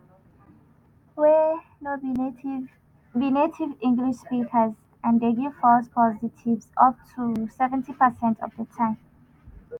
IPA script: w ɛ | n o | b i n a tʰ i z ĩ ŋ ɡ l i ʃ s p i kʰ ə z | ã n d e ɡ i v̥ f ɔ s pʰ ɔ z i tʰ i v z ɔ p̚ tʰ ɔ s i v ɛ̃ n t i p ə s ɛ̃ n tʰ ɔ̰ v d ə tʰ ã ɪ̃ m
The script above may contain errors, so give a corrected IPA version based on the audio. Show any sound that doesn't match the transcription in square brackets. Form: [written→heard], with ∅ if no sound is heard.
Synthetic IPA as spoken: w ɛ | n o | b i n [a→e] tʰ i [z→v] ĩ ŋ ɡ l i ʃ s p i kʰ ə z | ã n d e ɡ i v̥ f ɔ s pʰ ɔ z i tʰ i v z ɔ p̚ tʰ [ɔ→u] s [i→ɛ] v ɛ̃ n t i p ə s ɛ̃ n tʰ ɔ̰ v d ə tʰ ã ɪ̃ m